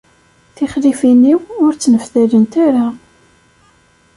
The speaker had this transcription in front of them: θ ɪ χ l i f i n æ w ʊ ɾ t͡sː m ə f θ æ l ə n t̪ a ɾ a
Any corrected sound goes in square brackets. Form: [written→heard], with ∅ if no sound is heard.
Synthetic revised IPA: θ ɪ χ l i f i n [æ→i] w ʊ ɾ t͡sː [m→n] ə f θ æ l ə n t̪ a ɾ a